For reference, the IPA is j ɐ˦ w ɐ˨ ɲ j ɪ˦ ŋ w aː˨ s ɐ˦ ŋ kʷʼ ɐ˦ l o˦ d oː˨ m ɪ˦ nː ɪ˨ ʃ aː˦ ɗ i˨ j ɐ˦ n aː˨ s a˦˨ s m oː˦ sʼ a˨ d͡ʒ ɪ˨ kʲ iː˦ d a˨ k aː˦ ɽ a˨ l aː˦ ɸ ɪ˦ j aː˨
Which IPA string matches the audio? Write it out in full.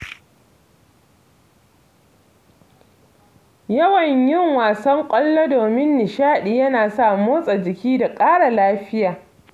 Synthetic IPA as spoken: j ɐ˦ w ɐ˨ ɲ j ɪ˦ ŋ w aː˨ s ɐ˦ ŋ kʷʼ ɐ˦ lː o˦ d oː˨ m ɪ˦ nː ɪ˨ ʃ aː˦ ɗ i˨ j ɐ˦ n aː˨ s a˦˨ m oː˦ sʼ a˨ d͡ʒ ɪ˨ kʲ iː˦ d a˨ kʼ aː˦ ɽ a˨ l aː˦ ɸ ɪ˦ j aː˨

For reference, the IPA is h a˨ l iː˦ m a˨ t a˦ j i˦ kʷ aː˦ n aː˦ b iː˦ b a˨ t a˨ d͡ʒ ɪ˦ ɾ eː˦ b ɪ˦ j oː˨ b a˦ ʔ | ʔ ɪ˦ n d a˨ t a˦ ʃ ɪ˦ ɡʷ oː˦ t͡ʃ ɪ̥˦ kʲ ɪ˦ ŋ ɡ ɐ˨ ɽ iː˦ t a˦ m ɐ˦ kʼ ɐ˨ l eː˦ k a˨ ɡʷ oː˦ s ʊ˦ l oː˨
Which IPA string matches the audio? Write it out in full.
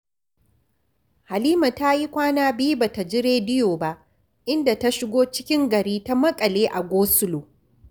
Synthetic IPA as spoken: h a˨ l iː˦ m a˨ t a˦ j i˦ kʷ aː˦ n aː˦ b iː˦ b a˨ t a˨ d͡ʒ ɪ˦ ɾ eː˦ d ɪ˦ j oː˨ b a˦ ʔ | ʔ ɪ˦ n d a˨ t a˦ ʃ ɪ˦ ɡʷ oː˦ t͡ʃ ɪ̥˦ kʲ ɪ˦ ŋ ɡ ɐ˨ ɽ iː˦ t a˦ m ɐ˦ kʼ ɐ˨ l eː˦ ʔ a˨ ɡʷ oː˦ s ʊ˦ l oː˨

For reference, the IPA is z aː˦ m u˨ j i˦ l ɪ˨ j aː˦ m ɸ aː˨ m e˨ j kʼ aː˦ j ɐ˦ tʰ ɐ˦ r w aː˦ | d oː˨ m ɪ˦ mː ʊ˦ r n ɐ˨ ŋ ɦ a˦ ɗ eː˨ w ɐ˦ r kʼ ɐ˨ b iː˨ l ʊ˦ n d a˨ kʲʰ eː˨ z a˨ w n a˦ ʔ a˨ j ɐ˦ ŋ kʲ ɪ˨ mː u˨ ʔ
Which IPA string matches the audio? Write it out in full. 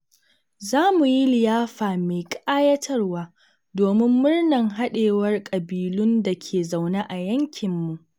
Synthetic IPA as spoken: z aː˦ m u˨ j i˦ l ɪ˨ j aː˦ ɸ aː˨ m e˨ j kʼ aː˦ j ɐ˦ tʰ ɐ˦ r w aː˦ | d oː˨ m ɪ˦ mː ʊ˦ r n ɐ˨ ŋ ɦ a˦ ɗ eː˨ w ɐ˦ r kʼ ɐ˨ b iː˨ l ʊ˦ n d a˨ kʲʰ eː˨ z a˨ w n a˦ ʔ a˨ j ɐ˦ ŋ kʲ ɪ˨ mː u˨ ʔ

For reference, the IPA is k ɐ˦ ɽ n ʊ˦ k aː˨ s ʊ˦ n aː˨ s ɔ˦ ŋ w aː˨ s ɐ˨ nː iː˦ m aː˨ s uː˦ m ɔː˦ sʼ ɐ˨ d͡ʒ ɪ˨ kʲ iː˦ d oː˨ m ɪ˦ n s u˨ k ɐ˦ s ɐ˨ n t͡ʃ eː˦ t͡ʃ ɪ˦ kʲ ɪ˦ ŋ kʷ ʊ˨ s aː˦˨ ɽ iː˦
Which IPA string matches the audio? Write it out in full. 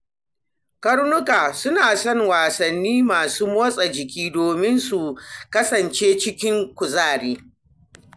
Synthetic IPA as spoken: k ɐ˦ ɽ n ʊ˦ k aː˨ s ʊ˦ n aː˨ s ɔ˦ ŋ w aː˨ s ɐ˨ nː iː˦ m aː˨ s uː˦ m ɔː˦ sʼ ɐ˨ d͡ʒ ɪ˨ kʲ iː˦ d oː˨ m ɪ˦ n s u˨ k ɐ˦ s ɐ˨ n t͡ʃ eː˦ t͡ʃ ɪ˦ kʲ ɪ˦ ŋ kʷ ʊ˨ z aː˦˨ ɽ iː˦

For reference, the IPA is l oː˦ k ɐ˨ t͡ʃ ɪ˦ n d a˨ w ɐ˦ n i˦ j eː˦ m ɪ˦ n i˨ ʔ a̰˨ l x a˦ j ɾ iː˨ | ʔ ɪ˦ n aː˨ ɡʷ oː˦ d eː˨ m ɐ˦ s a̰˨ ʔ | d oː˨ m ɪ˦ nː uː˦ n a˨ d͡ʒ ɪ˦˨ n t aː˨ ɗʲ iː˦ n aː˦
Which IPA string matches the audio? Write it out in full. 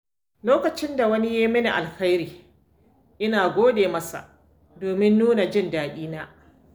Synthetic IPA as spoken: l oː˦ k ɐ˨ t͡ʃ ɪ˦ n d a˨ w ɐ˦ n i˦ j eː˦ m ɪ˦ n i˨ ʔ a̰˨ l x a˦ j ɾ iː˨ | ʔ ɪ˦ n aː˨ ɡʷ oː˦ d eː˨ m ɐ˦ s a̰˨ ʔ | d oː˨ m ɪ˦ nː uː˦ n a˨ d͡ʒ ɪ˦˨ n d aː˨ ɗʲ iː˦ n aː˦

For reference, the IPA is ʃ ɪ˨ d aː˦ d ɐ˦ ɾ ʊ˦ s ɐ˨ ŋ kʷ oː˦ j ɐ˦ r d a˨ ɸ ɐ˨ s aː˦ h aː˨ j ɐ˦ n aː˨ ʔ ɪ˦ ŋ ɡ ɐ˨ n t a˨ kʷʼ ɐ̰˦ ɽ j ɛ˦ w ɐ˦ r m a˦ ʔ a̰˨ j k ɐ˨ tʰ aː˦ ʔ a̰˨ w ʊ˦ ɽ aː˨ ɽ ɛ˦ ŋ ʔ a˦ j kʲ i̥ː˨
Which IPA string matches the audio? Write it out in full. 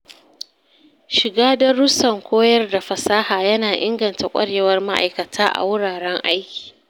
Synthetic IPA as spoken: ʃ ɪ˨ ɡ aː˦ d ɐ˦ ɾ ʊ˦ s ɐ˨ ŋ kʷ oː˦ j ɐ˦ r d a˨ ɸ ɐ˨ s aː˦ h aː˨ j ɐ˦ n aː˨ ʔ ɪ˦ ŋ ɡ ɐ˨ n t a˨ kʷʼ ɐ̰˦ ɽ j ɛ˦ w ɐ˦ r m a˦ ʔ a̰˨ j k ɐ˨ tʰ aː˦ ʔ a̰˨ w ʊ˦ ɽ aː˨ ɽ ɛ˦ ŋ ʔ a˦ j kʲ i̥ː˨

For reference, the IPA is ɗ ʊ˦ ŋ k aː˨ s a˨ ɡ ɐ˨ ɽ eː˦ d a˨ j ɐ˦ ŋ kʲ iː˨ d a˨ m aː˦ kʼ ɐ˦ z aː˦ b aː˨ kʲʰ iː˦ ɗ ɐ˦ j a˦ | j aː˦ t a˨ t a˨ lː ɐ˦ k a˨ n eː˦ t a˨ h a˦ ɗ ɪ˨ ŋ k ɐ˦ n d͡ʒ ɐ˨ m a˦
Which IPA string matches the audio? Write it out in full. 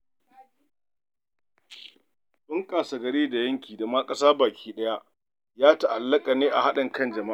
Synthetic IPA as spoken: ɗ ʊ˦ ŋ k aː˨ s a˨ ɡ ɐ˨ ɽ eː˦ d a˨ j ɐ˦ ŋ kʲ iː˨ d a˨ m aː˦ kʼ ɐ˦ s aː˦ b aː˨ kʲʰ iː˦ ɗ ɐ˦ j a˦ | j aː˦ t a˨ ʔ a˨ lː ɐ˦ kʼ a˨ n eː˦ ʔ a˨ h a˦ ɗ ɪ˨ ŋ k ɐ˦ n d͡ʒ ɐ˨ m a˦

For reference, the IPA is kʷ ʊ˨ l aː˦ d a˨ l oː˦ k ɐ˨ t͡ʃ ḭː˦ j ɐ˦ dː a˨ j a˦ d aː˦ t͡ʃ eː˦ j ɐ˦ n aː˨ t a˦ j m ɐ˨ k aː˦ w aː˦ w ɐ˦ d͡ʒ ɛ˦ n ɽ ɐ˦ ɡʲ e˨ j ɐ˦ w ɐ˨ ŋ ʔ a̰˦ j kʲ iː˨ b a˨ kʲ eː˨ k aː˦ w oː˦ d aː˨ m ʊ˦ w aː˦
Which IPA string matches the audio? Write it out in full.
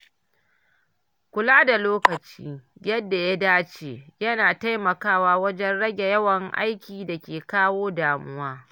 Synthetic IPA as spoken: kʷ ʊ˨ l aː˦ d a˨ l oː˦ k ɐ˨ t͡ʃ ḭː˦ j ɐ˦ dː a˨ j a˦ d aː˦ t͡ʃ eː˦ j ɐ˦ n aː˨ t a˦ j m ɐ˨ k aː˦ w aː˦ w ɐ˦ d͡ʒ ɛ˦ n ɽ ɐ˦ ɡʲ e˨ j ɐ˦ w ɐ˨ ŋ ʔ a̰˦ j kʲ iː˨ d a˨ kʲ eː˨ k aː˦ w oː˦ d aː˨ m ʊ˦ w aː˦

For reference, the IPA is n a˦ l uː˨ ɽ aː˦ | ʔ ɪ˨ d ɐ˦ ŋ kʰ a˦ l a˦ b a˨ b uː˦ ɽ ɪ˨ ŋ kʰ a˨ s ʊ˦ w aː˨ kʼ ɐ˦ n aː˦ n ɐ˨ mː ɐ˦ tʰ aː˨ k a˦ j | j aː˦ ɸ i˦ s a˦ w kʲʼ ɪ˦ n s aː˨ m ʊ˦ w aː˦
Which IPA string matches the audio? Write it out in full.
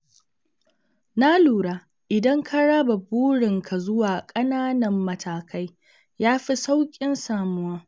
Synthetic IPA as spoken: n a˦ l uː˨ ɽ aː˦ | ʔ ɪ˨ d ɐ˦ ŋ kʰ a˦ ɽ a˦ b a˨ b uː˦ ɽ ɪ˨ ŋ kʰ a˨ z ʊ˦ w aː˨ kʼ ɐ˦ n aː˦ n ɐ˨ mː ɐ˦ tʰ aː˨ k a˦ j | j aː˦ ɸ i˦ s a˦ w kʲʼ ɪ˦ n s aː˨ m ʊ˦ w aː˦

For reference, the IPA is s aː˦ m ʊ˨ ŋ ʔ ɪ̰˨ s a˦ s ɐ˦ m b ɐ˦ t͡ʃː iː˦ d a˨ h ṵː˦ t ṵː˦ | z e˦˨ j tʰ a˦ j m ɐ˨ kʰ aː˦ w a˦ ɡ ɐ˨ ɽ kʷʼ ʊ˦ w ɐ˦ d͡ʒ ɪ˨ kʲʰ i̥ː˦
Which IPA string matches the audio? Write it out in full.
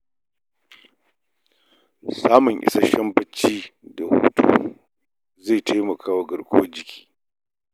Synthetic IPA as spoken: s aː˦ m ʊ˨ ŋ ʔ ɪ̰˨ s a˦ ʃ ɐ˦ m b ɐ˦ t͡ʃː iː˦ d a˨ h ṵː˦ t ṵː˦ | z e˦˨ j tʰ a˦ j m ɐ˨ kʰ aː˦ w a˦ ɡ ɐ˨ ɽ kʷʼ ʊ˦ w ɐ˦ d͡ʒ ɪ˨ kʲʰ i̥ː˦

